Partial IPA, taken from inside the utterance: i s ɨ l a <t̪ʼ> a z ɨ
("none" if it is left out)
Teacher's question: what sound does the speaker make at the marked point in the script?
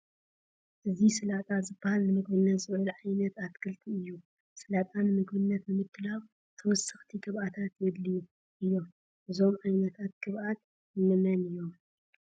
t̪ʼ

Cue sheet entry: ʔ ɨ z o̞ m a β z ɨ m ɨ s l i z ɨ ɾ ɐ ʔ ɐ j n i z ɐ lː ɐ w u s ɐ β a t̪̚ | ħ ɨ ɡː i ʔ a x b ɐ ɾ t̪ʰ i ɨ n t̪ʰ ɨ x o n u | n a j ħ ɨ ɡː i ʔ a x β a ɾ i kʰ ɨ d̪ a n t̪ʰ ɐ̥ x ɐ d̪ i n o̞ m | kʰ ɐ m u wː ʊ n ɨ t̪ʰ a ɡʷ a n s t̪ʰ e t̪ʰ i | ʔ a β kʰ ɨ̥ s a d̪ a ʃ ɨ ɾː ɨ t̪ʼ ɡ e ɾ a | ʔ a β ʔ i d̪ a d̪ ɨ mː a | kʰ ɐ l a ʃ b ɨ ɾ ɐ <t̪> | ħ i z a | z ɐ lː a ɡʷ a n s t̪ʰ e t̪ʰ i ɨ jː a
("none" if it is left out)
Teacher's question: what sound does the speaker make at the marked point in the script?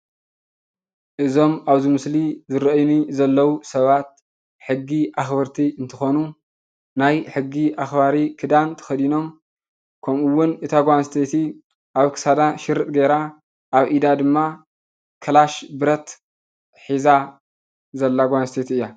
t̪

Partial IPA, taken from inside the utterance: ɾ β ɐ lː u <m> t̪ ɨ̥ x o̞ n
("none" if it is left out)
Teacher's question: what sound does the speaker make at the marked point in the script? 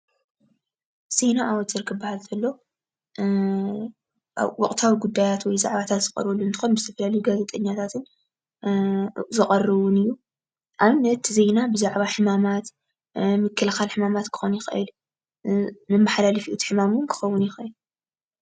n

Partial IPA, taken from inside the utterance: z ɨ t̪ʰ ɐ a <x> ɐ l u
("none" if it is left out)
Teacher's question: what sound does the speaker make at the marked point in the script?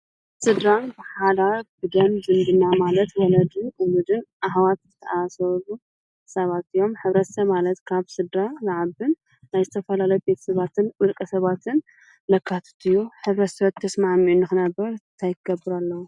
s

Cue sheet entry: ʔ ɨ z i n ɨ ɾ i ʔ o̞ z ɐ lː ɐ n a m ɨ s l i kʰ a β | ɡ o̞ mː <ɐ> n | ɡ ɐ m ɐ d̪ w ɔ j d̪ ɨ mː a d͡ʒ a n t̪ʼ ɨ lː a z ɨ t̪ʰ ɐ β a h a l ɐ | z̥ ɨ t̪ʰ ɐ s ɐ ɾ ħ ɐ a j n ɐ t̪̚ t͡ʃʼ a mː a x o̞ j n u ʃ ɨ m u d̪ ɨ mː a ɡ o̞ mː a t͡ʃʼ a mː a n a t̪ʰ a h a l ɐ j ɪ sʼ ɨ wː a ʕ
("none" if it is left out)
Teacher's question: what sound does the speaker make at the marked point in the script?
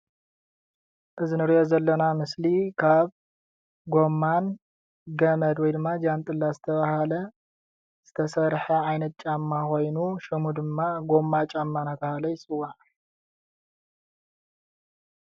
a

